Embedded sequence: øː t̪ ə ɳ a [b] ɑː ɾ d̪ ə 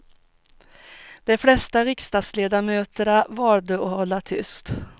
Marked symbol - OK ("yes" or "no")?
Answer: no